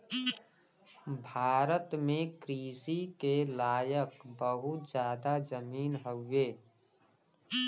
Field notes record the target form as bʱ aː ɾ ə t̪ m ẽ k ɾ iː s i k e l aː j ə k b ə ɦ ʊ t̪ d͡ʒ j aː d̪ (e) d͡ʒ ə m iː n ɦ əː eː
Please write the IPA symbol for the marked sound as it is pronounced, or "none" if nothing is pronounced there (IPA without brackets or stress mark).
a